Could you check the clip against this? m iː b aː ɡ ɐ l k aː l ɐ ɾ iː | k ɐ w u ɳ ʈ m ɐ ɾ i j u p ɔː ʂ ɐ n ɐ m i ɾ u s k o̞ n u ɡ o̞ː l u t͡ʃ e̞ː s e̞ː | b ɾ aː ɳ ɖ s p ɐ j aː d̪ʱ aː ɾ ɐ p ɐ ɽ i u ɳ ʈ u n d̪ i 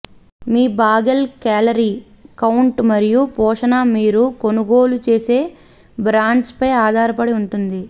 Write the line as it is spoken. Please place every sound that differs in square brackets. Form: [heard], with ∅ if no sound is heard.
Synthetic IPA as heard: m iː b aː ɡ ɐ l k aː l ɐ ɾ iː | k ɐ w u ɳ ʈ m ɐ ɾ i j u p ɔː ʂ ɐ n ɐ m [iː] ɾ u [∅] k o̞ n u ɡ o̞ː l u t͡ʃ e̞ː s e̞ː | b ɾ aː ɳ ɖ s p ɐ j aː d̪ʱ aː ɾ ɐ p ɐ ɽ i u ɳ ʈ u n d̪ i